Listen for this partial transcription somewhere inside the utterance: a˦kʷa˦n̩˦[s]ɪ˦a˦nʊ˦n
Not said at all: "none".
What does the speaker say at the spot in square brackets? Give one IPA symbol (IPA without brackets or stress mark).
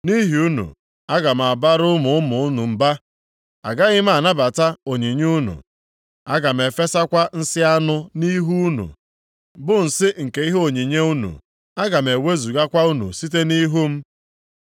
s